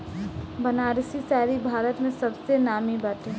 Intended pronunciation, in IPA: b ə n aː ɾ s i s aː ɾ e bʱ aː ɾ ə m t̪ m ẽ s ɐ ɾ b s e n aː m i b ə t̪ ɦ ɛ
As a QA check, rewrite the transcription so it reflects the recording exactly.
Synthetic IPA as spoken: b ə n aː ɾ s i s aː ɾ i bʱ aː ɾ ə t̪ m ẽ s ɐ b s e n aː m i b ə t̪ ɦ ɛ